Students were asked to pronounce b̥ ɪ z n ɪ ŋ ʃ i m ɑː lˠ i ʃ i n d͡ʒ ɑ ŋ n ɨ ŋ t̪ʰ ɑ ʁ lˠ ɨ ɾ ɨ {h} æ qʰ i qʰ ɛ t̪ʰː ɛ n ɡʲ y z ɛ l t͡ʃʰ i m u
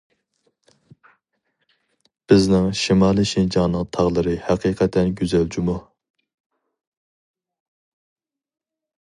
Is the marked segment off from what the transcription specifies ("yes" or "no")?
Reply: no